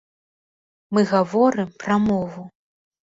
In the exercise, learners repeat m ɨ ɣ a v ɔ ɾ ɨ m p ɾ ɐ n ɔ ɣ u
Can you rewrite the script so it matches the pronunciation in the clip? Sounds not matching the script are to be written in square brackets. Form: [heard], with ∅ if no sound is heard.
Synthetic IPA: m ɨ ɣ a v ɔ ɾ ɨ m p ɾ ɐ [m] ɔ [v] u

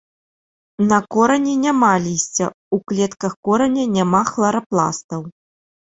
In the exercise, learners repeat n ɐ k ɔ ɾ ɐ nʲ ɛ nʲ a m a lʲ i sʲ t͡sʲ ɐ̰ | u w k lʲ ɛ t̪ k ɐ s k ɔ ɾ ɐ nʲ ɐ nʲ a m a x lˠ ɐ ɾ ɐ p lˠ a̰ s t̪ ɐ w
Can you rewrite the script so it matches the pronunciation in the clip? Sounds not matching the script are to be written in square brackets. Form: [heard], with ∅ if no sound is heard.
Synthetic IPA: n ɐ k ɔ ɾ ɐ nʲ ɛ nʲ a m a lʲ i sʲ t͡sʲ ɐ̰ | u [∅] k lʲ ɛ t̪ k ɐ [x] k ɔ ɾ ɐ nʲ ɐ nʲ a m a x lˠ ɐ ɾ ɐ p lˠ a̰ s t̪ ɐ w

